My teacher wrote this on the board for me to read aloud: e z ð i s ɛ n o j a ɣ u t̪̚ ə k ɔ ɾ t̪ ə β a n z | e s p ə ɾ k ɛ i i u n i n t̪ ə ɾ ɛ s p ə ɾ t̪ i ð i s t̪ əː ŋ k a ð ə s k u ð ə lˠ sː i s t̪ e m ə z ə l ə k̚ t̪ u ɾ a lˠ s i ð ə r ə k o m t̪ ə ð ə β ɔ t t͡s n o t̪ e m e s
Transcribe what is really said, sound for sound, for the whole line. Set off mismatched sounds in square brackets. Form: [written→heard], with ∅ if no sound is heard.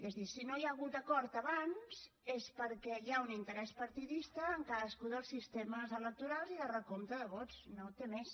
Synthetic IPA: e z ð i s [ɛ→i] n o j a ɣ u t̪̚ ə k ɔ ɾ t̪ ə β a n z | e s p ə ɾ k ɛ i [i→a] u n i n t̪ ə ɾ ɛ s p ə ɾ t̪ i ð i s t̪ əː ŋ k a ð ə s k u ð ə lˠ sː i s t̪ e m ə z ə l ə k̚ t̪ u ɾ a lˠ [s→z] i ð ə r ə k o m t̪ ə ð ə β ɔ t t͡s n o t̪ e m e s

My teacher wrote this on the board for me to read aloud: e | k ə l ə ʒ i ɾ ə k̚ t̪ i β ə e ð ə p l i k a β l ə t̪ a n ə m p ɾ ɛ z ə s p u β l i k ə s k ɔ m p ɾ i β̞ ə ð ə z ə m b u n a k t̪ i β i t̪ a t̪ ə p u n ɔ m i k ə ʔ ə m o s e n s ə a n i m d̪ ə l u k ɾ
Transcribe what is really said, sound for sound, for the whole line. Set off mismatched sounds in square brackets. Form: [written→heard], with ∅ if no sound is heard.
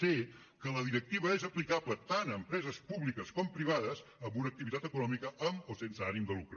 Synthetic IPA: e | k ə l ə [ʒ→ð] i ɾ ə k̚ t̪ i β ə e [ð→z] ə p l i k a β l ə t̪ a n ə m p ɾ ɛ z ə s p u β l i k ə s k ɔ m p ɾ i β̞ [ə→a] ð ə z ə m b u n [a→ə] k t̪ i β i t̪ a t̪ ə [p→k] u n ɔ m i k ə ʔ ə m o s e n s ə a n i m d̪ ə l u k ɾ

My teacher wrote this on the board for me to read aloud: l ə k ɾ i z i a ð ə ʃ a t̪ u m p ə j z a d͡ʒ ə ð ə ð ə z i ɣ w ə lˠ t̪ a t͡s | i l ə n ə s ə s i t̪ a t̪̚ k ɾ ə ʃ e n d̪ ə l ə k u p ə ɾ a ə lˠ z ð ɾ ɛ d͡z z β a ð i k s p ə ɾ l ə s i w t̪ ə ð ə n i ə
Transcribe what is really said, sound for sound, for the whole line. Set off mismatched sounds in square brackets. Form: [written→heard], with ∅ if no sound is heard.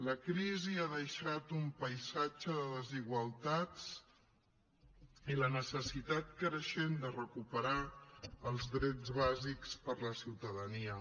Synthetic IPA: l ə k ɾ i z i a ð ə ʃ a t̪ u m p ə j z a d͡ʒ ə ð ə ð ə z i ɣ w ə lˠ t̪ a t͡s | i l ə n ə s ə s i t̪ a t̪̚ k ɾ ə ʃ e n d̪ ə [l→r] ə k u p ə ɾ a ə lˠ z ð ɾ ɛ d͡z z β a [ð→z] i k s p ə ɾ l ə s i w t̪ ə ð ə n i ə

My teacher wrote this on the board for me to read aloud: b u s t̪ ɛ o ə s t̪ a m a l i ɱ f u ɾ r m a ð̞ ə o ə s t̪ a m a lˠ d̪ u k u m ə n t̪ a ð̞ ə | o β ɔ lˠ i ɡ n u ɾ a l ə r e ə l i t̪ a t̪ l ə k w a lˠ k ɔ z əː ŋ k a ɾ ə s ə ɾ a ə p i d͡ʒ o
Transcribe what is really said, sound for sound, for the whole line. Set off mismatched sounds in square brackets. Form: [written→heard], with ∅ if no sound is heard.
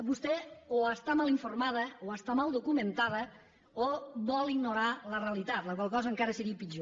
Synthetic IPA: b u s t̪ ɛ o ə s t̪ a m a l i ɱ f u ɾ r m a ð̞ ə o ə s t̪ a m a lˠ d̪ u k u m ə n t̪ a ð̞ ə | o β ɔ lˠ i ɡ n u ɾ a l ə r e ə l i t̪ a t̪ l ə k w a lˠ k ɔ z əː ŋ k a ɾ ə s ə ɾ [a→i] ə p i d͡ʒ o

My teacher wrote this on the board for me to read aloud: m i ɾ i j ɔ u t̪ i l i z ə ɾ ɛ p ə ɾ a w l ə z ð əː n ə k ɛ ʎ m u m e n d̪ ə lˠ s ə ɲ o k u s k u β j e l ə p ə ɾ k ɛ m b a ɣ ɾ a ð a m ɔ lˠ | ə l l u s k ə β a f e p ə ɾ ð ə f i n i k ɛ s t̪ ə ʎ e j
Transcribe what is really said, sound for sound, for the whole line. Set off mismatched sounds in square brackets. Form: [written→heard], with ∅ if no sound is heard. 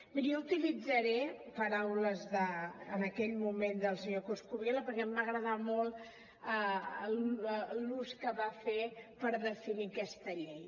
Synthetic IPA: m i ɾ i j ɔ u t̪ i l i [z→d͡z] ə ɾ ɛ p ə ɾ a w l ə z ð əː n ə k ɛ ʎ m u m e n d̪ ə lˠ s ə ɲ o k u s k u β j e l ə p ə ɾ k ɛ m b a ɣ ɾ [a→ə] ð a m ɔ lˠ | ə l l u s k ə β a f e p ə ɾ ð ə f i n i k ɛ s t̪ ə ʎ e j

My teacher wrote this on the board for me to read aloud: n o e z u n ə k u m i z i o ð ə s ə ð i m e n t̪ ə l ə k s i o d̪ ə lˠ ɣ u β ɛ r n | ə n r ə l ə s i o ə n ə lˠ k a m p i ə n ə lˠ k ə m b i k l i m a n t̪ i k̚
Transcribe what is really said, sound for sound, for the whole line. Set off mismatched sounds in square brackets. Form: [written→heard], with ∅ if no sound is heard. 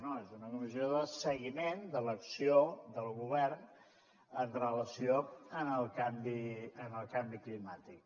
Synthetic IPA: n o e z u n ə k u m i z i o ð ə s ə [ð→ɣ] i m e n [t̪→d̪] ə l ə k s i o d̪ ə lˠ ɣ u β ɛ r n | ə n r ə l ə s i o ə n ə lˠ k a m [p→b] i ə n ə lˠ k [ə→a] m b i k l i m a [n→∅] t̪ i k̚

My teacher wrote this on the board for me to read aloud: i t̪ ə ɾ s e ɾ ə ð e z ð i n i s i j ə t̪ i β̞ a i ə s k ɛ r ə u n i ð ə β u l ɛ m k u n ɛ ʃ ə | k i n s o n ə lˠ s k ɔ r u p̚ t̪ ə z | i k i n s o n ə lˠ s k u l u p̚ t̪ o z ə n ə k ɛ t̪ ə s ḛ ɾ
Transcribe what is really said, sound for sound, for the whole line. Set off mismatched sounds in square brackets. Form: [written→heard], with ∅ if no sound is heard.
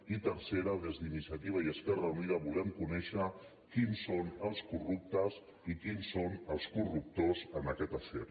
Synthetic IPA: i t̪ ə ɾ s e ɾ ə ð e z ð i n i s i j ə t̪ i β̞ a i ə s k ɛ r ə u n i ð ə β u l ɛ m k u n ɛ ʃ ə | k i n s o n ə lˠ s k [ɔ→u] r u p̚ t̪ ə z | i k i n s o n ə lˠ s k u [l→r] u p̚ t̪ o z ə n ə k ɛ t̪ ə s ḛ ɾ

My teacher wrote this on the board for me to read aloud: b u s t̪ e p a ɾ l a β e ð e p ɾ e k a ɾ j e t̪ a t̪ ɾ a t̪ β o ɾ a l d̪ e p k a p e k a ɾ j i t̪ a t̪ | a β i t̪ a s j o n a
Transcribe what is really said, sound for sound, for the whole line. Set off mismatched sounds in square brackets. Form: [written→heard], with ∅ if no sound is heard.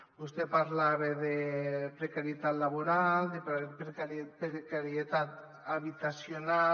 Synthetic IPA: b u s t̪ e p a ɾ l a β e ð e p ɾ e k a ɾ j e t̪ a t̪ [ɾ→l] a [t̪→∅] β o ɾ a l d̪ e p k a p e k a ɾ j [i→e] t̪ a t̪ | a β i t̪ a s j o n a

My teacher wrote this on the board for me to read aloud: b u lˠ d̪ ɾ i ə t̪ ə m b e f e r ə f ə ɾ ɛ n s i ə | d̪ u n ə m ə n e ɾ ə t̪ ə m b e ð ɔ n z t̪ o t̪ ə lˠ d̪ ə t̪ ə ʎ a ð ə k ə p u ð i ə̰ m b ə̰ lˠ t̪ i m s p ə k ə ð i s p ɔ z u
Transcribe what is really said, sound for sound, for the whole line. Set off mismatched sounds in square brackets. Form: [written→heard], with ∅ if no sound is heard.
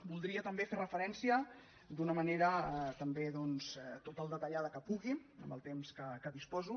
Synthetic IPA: b u lˠ d̪ ɾ i ə t̪ ə m b e f e r ə f ə ɾ ɛ n s i ə | d̪ u n ə m ə n e ɾ ə t̪ ə m b e ð ɔ n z t̪ o t̪ ə lˠ d̪ ə t̪ ə ʎ a ð ə k ə p u [ð→ɣ] i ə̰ m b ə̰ lˠ t̪ [i→e] m s [p→k] ə k ə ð i s p ɔ z u

